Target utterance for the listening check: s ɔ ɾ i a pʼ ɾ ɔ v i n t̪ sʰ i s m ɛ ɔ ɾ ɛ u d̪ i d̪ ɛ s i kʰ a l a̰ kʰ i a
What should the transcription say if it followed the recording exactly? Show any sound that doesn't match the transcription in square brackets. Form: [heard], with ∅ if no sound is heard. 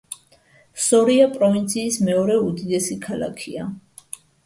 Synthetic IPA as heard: s ɔ ɾ i a pʼ ɾ ɔ v i n t̪ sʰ [iː] s m ɛ ɔ ɾ ɛ u d̪ i d̪ ɛ s i kʰ a l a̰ kʰ i a